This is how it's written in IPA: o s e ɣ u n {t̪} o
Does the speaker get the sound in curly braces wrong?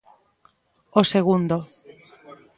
yes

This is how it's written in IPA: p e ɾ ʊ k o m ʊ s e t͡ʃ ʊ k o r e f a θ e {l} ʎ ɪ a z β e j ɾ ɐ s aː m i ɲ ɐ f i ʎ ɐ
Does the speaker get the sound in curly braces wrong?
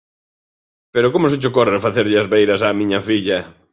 yes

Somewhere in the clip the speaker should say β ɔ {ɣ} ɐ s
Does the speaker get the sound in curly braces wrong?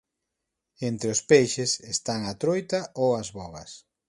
no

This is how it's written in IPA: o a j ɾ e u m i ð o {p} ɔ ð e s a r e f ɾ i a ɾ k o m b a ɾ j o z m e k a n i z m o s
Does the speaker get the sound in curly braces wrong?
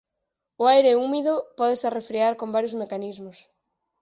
no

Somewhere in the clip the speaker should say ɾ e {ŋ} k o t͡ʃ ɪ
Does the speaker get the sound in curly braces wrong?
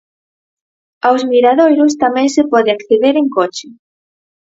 no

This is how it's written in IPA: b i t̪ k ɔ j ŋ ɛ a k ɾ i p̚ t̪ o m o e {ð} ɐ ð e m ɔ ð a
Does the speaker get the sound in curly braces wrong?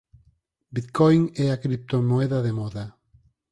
no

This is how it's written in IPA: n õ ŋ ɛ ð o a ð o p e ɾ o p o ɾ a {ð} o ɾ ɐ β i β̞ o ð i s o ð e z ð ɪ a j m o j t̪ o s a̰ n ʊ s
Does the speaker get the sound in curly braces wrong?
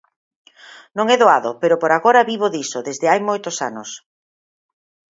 yes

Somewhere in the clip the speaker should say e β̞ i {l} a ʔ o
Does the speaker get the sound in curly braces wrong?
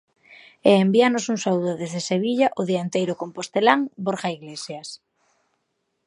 yes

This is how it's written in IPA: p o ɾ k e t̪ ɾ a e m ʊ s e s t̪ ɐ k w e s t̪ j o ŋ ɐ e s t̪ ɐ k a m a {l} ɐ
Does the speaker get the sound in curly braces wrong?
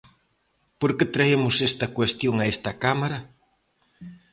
yes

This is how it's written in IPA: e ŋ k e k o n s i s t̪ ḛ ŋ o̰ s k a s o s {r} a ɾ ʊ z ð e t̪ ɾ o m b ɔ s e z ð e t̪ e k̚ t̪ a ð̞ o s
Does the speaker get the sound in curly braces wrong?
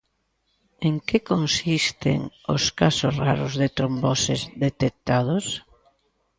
no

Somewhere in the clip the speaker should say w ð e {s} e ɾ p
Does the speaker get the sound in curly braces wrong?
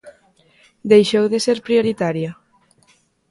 no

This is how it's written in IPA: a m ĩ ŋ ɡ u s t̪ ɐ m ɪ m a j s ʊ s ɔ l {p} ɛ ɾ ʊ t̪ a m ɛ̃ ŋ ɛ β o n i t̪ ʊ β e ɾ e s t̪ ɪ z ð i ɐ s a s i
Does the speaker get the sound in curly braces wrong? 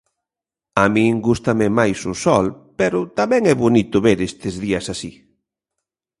no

